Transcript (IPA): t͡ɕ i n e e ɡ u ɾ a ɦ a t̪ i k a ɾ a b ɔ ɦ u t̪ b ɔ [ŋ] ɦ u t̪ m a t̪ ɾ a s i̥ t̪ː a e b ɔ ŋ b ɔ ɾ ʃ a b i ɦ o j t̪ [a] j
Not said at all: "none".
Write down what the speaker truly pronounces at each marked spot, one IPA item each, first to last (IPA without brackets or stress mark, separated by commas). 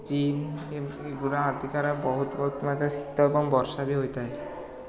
none, a